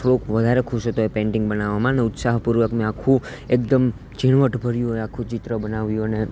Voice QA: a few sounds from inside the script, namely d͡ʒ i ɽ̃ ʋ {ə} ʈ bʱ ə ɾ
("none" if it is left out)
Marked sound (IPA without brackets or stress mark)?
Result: ə